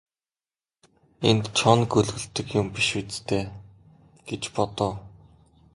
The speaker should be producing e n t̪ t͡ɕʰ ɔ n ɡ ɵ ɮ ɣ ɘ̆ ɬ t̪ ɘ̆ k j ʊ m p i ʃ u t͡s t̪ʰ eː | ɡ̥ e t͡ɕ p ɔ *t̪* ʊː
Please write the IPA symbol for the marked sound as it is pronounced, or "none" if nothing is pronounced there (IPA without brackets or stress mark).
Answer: t̪